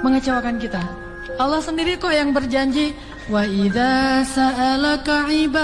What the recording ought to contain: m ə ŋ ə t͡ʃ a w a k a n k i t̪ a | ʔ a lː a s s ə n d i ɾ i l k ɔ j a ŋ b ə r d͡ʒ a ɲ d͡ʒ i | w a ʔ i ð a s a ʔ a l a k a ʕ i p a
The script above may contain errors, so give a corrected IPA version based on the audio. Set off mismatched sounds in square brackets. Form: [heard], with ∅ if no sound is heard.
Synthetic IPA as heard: m ə ŋ ə t͡ʃ a w a k a n k i t̪ a | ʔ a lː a [h] s ə n d i ɾ i [∅] k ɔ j a ŋ b ə r d͡ʒ a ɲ d͡ʒ i | w a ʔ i ð a s a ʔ a l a k a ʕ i [b] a